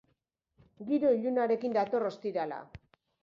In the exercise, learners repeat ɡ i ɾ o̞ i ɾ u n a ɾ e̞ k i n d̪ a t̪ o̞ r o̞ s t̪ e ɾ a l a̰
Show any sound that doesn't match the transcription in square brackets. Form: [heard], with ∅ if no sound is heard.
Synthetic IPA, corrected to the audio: ɡ i ɾ o̞ i [ʎ] u n a ɾ e̞ k i n d̪ a t̪ o̞ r o̞ s t̪ [i] ɾ a l a̰